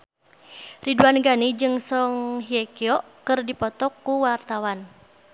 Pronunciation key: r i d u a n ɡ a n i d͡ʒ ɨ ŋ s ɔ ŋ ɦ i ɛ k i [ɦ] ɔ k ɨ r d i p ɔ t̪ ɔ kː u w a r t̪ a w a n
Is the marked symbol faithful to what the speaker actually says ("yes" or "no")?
no